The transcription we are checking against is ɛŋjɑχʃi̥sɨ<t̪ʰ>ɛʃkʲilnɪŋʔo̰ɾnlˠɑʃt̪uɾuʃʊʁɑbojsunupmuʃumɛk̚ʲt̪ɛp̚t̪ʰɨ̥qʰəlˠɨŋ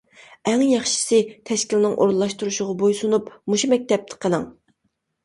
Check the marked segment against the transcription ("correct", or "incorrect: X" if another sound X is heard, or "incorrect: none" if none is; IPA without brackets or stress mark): correct